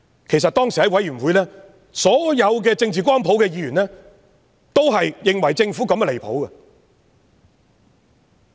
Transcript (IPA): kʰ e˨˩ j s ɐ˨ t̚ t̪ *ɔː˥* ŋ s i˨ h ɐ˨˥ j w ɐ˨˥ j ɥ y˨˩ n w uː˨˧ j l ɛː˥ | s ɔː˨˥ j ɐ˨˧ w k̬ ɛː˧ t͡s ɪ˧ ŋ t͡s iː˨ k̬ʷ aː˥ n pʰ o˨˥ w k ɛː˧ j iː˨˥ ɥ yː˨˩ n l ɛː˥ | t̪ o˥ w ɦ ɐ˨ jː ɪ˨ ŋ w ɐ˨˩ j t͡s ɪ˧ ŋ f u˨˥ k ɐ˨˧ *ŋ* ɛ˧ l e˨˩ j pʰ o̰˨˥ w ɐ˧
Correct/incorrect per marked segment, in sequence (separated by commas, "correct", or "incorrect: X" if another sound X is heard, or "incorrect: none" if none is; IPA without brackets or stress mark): correct, incorrect: m